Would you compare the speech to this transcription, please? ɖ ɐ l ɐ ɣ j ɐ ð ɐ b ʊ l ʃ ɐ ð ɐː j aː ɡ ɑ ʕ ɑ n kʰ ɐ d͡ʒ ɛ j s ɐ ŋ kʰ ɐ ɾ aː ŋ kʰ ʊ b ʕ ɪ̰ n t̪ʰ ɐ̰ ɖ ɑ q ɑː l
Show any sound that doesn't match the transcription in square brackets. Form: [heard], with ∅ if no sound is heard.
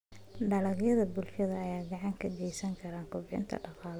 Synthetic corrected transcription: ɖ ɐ l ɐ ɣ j ɐ ð ɐ b ʊ l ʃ ɐ ð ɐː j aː ɡ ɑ ʕ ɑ [ŋ] kʰ ɐ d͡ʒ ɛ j s ɐ ŋ kʰ ɐ ɾ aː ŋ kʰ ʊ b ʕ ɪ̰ n t̪ʰ ɐ̰ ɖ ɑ q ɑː l